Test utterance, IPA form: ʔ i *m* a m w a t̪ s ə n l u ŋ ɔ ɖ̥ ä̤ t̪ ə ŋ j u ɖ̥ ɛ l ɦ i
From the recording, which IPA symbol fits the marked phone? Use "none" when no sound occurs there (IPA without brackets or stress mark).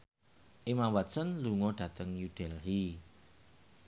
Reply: m